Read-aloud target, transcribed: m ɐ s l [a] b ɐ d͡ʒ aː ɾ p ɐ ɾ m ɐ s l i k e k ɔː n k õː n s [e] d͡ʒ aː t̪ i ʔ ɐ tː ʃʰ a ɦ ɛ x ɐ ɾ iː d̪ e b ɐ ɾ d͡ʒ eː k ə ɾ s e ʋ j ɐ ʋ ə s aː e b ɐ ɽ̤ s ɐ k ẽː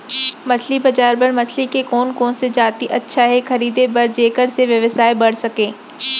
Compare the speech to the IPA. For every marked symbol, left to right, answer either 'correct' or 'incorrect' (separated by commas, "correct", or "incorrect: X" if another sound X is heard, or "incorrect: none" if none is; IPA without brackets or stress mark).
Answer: incorrect: i, correct